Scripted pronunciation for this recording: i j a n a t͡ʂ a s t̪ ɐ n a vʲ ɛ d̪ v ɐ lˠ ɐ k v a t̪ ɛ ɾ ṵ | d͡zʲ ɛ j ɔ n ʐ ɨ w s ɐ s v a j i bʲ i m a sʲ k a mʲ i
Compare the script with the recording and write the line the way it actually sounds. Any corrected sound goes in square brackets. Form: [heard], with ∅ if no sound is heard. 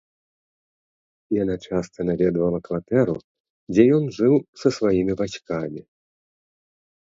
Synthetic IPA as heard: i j a n a t͡ʂ a s t̪ ɐ n a vʲ ɛ d̪ v ɐ lˠ ɐ k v a t̪ ɛ ɾ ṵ | d͡zʲ ɛ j ɔ n ʐ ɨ w s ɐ s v a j i [mʲ] i [b] a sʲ k a mʲ i